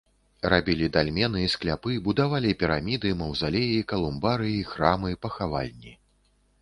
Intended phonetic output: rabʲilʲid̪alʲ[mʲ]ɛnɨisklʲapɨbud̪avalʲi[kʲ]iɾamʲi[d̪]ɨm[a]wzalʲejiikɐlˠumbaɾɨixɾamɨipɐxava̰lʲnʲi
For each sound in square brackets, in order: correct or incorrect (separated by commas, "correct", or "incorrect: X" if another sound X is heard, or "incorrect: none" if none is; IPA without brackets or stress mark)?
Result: correct, incorrect: pʲ, correct, incorrect: ɐ